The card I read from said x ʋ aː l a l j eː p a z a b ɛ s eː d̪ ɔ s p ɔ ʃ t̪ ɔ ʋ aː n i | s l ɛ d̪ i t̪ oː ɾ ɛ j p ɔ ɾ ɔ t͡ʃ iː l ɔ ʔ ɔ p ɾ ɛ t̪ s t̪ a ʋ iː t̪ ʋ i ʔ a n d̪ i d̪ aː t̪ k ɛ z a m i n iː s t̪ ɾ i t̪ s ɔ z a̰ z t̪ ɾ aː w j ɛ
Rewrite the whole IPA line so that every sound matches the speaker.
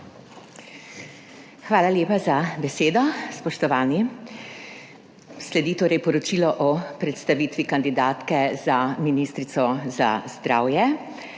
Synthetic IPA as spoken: x ʋ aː l a l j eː p a z a b ɛ s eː d̪ ɔ s p ɔ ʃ t̪ ɔ ʋ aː n i | s l ɛ d̪ i t̪ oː ɾ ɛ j p ɔ ɾ ɔ t͡ʃ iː l ɔ ʔ ɔ p ɾ ɛ t̪ s t̪ a ʋ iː t̪ ʋ i k a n d̪ i d̪ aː t̪ k ɛ z a m i n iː s t̪ ɾ i t̪ s ɔ z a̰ z d̪ ɾ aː w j ɛ